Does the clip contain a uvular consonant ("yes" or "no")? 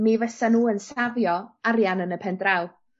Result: no